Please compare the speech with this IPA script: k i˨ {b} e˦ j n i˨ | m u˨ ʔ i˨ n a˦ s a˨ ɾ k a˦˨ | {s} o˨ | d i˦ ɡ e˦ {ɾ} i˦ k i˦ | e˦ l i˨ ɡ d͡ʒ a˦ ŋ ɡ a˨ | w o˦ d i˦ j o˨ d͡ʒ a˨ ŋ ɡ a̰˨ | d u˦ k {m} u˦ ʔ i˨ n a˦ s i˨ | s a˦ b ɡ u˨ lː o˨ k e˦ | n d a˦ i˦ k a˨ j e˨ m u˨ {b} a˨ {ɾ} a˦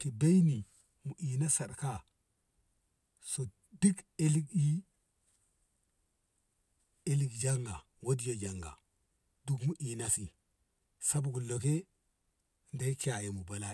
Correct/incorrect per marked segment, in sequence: correct, correct, incorrect, correct, correct, incorrect

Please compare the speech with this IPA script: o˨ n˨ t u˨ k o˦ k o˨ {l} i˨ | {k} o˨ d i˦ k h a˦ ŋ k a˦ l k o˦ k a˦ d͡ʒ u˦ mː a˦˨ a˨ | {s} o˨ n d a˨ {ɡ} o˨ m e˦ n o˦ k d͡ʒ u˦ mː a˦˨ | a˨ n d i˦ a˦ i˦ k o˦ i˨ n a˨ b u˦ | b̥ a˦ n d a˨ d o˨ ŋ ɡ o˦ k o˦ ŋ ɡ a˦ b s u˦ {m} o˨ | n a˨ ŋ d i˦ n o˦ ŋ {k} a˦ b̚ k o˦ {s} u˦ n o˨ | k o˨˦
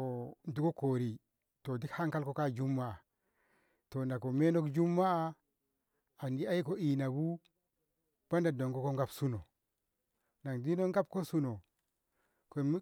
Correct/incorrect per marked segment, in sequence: incorrect, incorrect, incorrect, incorrect, incorrect, incorrect, correct

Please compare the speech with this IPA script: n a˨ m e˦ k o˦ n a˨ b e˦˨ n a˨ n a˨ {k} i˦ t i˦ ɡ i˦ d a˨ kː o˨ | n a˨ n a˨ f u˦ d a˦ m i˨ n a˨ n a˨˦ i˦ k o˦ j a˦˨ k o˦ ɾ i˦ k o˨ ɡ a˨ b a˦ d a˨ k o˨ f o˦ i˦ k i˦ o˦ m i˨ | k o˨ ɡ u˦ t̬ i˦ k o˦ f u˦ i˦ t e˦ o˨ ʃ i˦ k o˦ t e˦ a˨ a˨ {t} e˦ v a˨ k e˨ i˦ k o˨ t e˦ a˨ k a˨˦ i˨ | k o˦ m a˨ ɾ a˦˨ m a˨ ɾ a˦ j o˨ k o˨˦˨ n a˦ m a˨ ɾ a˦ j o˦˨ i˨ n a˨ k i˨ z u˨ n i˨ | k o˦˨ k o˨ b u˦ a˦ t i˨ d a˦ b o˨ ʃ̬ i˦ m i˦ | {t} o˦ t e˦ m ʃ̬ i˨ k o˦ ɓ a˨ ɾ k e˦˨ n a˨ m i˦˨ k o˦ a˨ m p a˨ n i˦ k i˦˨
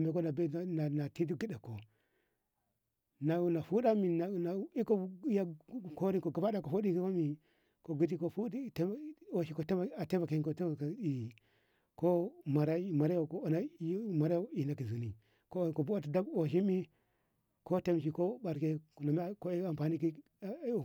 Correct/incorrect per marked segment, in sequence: incorrect, correct, incorrect

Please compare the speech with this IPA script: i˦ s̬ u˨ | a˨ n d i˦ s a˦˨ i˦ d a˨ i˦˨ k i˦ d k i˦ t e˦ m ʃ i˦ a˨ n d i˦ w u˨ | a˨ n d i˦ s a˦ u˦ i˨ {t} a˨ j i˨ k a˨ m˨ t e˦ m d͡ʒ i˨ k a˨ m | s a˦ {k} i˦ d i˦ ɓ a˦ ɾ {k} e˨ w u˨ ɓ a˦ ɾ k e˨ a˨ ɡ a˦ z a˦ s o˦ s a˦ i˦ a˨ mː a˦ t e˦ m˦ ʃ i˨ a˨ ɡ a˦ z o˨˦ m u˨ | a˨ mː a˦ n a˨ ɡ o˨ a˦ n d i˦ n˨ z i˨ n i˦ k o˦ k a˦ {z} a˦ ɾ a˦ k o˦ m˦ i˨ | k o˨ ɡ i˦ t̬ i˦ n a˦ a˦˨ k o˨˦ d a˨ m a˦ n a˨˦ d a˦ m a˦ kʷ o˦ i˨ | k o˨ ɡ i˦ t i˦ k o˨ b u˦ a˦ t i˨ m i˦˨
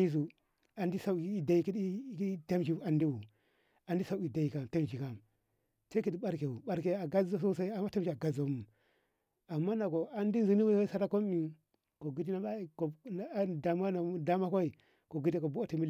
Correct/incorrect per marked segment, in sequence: incorrect, correct, correct, incorrect

